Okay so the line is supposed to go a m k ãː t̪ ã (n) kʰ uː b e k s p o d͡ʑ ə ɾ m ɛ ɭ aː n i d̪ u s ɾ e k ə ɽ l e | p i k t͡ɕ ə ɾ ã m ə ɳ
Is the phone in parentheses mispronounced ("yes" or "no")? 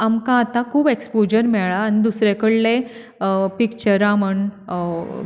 yes